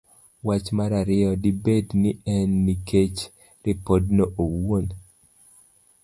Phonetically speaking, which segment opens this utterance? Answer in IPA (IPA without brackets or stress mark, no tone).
w